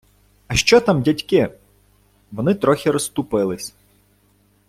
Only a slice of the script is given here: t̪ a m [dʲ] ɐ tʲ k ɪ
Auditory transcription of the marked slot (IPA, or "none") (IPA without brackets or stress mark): dʲ